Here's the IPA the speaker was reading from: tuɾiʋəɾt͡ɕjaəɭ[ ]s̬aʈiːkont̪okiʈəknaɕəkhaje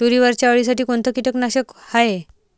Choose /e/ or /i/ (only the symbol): i